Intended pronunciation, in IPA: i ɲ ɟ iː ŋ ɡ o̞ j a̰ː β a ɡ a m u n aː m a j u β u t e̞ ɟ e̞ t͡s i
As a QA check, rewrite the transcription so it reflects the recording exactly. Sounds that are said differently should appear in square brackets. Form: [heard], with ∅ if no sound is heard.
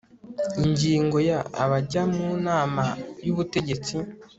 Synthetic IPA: i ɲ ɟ iː ŋ ɡ o̞ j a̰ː β a [ɟ] a m u n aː m a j u β u t e̞ ɟ e̞ t͡s i